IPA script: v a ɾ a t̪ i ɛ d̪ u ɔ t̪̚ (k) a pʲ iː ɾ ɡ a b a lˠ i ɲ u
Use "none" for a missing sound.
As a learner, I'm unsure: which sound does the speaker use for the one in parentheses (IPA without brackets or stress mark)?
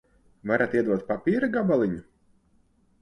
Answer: p